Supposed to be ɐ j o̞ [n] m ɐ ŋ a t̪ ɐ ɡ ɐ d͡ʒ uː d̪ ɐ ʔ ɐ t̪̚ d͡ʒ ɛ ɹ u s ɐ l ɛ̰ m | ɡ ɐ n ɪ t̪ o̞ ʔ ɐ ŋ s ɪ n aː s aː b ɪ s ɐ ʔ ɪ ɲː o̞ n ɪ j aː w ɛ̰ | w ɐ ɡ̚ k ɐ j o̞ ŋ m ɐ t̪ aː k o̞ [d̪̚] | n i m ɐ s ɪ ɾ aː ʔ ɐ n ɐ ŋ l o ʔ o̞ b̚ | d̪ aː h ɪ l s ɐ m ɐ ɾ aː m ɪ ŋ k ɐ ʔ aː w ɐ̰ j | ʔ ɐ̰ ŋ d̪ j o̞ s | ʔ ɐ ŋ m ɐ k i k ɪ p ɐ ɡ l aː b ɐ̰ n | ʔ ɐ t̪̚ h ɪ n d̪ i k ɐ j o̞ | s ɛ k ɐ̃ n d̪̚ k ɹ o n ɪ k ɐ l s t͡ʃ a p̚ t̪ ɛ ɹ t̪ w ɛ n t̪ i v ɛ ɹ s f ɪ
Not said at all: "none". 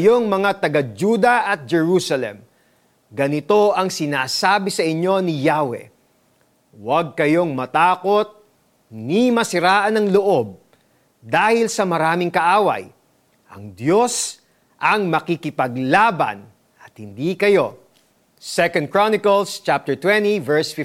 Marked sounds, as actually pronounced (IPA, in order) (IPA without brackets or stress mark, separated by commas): ŋ, t̪̚